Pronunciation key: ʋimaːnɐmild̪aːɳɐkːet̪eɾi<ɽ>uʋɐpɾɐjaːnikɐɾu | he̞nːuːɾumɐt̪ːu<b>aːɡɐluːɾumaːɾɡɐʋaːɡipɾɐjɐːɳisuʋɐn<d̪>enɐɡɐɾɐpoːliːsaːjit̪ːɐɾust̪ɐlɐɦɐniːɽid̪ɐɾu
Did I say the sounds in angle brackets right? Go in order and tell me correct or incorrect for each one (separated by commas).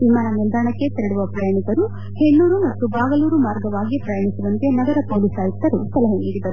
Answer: correct, correct, incorrect